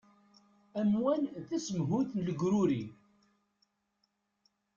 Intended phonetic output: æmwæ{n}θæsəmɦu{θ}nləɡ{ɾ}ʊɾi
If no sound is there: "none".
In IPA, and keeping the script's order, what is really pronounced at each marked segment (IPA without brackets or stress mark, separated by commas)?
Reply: n, θ, ɾ